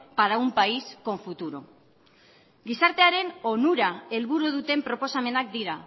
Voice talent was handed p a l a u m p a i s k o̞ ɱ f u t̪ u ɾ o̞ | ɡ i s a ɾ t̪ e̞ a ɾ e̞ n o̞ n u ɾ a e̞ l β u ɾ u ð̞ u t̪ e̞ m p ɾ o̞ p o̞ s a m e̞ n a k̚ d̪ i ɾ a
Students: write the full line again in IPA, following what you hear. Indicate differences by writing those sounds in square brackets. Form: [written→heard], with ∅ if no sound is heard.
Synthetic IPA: p a [l→ɾ] a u m p a i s k o̞ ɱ f u t̪ u ɾ o̞ | ɡ i s a ɾ t̪ e̞ a ɾ e̞ n o̞ n u ɾ a e̞ l β u ɾ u ð̞ u t̪ e̞ m p ɾ o̞ p o̞ s a m e̞ n a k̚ d̪ i ɾ a